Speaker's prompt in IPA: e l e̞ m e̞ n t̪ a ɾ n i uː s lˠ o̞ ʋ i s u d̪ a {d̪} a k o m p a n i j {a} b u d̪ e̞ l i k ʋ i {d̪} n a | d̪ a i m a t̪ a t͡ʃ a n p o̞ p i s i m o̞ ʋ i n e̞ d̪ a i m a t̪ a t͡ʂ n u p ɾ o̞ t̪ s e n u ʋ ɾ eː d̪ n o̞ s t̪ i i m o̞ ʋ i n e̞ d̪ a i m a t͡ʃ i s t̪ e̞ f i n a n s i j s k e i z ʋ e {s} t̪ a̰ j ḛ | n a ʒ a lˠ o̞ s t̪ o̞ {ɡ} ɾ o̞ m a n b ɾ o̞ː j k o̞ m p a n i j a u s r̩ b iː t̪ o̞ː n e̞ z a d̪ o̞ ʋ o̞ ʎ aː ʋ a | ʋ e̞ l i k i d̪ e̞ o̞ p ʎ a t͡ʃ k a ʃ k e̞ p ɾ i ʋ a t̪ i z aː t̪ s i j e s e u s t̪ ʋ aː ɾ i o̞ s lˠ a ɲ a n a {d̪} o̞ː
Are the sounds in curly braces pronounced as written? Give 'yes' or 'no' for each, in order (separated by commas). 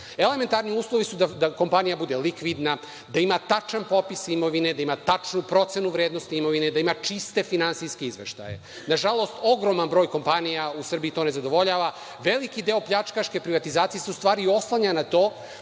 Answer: yes, yes, yes, no, yes, no